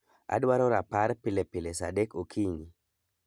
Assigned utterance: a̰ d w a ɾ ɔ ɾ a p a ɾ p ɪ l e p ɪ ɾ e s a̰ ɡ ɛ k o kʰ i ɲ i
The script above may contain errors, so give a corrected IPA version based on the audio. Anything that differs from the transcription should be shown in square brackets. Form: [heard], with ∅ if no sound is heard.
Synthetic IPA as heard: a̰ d w a ɾ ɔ ɾ a p a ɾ p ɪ l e p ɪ [l] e s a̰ [d] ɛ k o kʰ i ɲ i